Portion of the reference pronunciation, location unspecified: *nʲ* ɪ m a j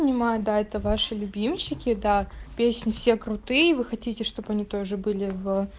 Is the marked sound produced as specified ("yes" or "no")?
yes